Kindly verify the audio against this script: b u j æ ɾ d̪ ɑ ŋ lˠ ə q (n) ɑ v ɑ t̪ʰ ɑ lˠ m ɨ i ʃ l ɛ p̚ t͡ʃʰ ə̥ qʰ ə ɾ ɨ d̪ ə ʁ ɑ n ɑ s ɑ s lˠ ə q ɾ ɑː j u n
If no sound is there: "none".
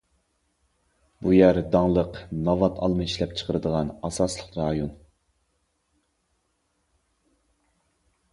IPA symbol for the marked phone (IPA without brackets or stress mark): n